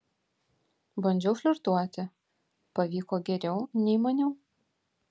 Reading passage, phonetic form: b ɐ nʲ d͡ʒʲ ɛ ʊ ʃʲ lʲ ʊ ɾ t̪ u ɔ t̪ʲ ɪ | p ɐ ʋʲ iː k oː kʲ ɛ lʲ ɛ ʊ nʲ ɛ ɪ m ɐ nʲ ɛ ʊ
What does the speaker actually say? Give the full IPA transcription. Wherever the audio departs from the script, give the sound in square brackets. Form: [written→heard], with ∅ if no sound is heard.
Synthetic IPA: b ɐ nʲ d͡ʒʲ ɛ ʊ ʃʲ lʲ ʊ ɾ t̪ u ɔ t̪ʲ ɪ | p ɐ ʋʲ iː k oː [kʲ→ɡʲ] ɛ [lʲ→ɾʲ] ɛ ʊ nʲ ɛ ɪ m ɐ nʲ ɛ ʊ